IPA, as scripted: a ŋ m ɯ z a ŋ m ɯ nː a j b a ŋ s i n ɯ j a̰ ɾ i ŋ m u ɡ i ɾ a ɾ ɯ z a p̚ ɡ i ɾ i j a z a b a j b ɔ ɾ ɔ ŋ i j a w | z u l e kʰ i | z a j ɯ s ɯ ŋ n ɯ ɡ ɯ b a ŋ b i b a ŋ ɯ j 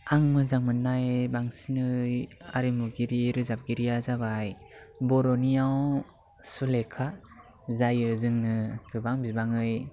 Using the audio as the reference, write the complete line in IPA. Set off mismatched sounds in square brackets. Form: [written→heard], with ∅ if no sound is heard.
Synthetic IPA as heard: a ŋ m ɯ z a ŋ m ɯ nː a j b a ŋ s i n ɯ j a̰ ɾ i [ŋ→∅] m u ɡ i ɾ [a→i] ɾ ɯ z a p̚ ɡ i ɾ i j a z a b a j b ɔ ɾ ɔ [ŋ→n] i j a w | [z→s] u l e kʰ [i→a] | z a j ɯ [s→z] ɯ ŋ n ɯ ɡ ɯ b a ŋ b i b a ŋ ɯ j